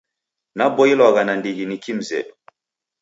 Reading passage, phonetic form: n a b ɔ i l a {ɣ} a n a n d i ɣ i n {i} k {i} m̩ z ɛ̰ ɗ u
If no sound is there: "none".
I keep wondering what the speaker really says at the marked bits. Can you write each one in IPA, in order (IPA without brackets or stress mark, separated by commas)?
ɣ, i, i